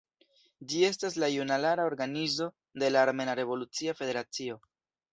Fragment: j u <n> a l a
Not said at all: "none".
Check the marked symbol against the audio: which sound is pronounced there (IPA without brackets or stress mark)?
n